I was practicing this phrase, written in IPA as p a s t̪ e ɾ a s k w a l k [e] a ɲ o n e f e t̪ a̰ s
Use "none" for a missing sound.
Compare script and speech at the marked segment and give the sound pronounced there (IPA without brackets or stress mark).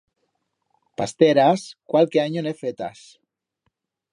e